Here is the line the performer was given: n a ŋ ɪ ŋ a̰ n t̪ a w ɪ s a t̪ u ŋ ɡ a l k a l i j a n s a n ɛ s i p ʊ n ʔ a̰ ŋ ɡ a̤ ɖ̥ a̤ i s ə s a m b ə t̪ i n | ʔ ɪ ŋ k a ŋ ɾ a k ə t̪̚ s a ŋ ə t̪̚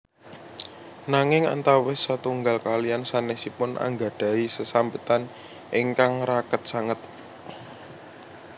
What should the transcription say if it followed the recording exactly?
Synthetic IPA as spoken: n a ŋ ɪ ŋ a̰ n t̪ a w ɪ s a t̪ u ŋ ɡ a l k a l i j a n s a n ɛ s i p ʊ n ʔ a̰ ŋ ɡ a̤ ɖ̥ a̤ i s ə s a m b ə t̪ a n | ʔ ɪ ŋ k a ŋ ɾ a k ə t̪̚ s a ŋ ə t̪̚